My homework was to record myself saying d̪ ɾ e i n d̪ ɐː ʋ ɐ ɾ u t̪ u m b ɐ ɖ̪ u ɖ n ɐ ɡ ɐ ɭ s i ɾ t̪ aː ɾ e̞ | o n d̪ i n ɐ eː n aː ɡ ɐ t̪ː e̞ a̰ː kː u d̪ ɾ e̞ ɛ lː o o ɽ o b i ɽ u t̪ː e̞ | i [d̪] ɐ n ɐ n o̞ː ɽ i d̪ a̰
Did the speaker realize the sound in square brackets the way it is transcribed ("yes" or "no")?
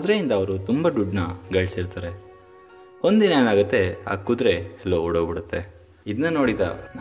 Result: yes